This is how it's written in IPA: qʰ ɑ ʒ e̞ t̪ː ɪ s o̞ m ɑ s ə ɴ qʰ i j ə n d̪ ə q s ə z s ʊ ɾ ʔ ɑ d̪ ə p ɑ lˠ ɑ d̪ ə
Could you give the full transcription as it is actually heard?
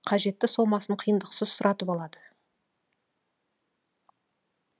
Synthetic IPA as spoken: qʰ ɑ ʒ e̞ t̪ː ɪ s o̞ m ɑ s ə ɴ qʰ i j ə n d̪ ə q s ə z s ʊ ɾ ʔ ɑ t̪ ə p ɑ lˠ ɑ d̪ ə